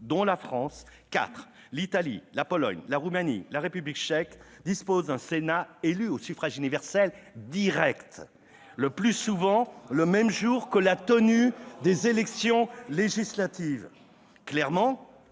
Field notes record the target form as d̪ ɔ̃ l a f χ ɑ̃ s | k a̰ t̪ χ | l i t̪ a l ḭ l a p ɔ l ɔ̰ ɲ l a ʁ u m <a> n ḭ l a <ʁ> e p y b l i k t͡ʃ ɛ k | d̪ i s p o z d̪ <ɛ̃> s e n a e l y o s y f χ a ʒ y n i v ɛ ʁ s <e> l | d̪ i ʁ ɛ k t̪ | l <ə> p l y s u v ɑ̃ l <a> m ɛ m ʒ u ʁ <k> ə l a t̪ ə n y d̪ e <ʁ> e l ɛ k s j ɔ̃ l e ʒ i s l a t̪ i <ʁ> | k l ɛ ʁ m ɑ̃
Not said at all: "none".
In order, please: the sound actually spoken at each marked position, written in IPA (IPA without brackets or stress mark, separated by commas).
a, ʁ, ɛ̃, ɛ, ə, ə, k, z, v